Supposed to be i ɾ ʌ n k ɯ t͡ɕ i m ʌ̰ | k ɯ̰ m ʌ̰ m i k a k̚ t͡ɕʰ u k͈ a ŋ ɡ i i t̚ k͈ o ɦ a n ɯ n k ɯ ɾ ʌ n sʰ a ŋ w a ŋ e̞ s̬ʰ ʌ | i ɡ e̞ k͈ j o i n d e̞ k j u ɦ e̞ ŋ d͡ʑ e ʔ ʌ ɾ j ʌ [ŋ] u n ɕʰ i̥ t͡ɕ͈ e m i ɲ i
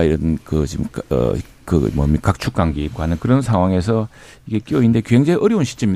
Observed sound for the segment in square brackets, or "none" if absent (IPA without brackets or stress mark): none